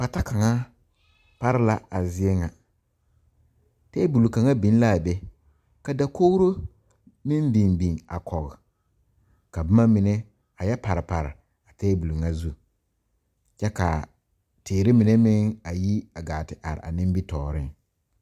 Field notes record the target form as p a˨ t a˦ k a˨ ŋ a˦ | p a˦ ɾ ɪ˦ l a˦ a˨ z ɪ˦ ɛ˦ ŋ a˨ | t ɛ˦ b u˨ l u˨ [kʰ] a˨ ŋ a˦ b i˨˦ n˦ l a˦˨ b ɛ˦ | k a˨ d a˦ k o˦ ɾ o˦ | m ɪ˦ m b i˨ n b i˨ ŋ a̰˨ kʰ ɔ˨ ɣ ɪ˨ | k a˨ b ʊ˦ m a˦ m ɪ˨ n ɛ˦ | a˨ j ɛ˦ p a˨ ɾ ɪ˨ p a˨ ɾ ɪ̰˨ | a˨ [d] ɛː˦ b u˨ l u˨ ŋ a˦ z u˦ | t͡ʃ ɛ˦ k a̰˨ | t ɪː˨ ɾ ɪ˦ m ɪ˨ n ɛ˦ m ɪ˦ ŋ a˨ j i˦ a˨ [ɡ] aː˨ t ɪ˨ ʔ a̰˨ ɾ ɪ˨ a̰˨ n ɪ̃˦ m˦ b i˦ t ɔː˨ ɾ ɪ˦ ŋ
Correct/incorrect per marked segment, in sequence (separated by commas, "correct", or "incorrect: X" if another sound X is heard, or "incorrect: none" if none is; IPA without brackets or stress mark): incorrect: k, incorrect: t, correct